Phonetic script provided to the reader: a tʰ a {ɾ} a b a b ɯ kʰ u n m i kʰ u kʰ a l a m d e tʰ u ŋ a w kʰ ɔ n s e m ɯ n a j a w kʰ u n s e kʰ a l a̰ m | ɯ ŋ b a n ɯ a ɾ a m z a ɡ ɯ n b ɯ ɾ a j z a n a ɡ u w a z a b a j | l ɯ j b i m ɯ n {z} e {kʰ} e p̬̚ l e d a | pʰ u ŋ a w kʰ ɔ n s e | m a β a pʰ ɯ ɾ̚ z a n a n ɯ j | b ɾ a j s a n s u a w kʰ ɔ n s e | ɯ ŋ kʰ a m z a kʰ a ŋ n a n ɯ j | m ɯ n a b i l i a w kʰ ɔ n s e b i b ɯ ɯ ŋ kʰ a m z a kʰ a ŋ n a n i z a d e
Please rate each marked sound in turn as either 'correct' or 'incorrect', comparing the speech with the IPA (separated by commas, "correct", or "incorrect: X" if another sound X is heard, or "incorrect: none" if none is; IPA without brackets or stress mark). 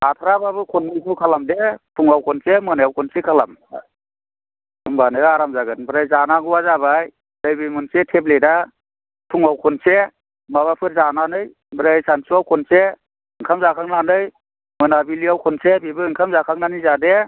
correct, incorrect: s, incorrect: tʰ